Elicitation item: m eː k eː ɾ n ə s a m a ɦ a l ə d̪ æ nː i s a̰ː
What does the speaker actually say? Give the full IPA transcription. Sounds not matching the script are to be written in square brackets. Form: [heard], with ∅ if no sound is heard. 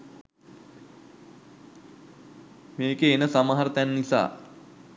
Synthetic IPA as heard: m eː k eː [∅] n ə s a m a ɦ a [ɾ] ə [t̪] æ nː i s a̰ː